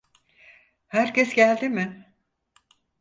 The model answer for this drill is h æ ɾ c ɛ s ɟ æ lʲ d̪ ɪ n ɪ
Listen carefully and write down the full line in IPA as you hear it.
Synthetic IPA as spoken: h æ ɾ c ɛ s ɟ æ lʲ d̪ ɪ m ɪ